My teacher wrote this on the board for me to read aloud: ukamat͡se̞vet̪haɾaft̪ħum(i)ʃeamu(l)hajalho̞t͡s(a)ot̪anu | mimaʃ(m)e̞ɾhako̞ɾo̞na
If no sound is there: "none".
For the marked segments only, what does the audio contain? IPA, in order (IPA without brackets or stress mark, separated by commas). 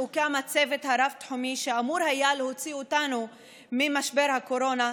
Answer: i, ɾ, i, b